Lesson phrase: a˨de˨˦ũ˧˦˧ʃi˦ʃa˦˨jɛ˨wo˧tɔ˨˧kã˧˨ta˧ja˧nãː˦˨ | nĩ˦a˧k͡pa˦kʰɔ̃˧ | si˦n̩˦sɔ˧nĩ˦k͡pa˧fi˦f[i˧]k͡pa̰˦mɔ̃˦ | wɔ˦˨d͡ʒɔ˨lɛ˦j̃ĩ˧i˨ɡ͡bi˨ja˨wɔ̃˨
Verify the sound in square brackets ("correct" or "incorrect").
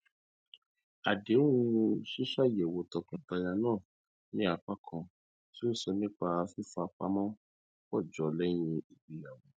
incorrect